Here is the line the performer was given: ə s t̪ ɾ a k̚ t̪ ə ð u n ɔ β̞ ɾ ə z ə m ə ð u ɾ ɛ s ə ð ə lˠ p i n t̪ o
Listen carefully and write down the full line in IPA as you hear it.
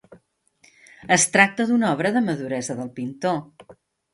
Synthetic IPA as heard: ə s t̪ ɾ a k̚ t̪ ə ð u n ɔ β̞ ɾ ə ð ə m ə ð u ɾ ɛ z ə ð ə lˠ p i n t̪ o